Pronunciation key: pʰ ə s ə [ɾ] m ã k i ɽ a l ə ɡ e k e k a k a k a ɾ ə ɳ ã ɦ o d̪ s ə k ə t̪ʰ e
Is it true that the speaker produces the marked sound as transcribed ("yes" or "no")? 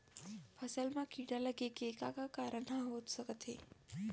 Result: no